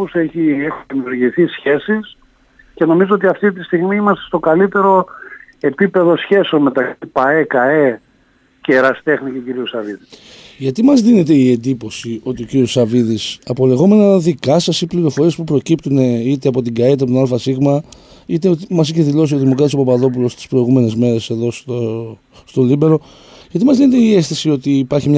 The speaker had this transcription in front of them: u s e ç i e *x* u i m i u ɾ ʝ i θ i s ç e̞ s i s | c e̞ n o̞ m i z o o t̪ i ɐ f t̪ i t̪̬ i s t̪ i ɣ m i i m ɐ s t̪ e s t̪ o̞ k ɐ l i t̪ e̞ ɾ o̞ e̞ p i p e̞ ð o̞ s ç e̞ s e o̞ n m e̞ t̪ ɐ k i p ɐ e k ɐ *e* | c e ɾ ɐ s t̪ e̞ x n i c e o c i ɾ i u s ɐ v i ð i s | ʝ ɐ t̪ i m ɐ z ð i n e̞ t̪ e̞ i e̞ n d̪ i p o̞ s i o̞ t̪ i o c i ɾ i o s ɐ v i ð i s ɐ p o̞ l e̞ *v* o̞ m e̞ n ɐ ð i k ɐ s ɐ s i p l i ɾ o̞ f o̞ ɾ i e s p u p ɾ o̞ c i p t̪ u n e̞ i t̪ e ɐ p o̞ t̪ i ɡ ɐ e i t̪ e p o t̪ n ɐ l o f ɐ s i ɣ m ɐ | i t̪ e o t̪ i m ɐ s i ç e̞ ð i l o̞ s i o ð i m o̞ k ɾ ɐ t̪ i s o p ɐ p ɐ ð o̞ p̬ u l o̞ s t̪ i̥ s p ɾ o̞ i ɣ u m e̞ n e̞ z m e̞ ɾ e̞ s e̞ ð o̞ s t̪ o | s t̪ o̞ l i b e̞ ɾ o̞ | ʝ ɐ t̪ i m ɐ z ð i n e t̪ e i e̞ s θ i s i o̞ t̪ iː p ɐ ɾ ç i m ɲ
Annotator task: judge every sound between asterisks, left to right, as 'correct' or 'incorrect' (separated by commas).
correct, correct, incorrect